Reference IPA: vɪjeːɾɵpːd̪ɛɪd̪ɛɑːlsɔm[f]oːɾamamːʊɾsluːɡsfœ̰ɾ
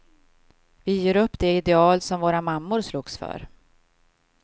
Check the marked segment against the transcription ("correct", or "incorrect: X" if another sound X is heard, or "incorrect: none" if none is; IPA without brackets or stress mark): incorrect: v